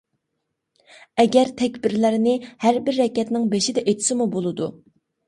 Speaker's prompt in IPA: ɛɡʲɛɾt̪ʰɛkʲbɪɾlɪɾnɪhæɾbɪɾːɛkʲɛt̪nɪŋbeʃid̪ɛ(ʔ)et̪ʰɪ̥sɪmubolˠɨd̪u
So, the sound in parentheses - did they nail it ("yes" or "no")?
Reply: yes